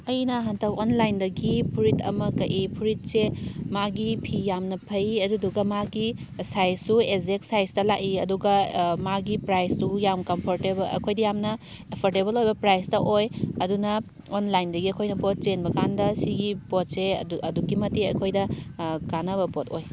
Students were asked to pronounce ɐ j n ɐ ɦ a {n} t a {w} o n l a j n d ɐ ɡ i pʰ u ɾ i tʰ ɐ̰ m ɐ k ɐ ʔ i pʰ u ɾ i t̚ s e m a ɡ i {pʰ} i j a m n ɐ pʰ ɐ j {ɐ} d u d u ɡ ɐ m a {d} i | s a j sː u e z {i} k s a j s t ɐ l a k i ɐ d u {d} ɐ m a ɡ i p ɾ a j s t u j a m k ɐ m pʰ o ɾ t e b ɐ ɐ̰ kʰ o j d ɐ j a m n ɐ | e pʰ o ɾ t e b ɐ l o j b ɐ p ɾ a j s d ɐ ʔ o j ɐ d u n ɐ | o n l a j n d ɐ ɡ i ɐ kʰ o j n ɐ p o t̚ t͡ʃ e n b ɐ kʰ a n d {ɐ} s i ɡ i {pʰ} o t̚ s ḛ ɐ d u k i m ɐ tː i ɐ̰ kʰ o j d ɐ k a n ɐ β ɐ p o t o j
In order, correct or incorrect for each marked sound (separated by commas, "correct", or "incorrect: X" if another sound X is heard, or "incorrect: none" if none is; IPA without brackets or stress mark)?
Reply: correct, correct, correct, correct, incorrect: ɡ, incorrect: e, incorrect: ɡ, correct, incorrect: p